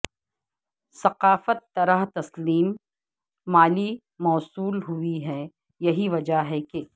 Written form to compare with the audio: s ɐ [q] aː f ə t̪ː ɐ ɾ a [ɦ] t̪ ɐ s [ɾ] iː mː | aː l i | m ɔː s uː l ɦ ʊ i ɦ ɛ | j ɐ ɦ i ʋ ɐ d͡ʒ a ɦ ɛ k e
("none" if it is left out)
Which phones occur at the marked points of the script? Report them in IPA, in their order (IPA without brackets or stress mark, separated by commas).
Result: q, ɦ, l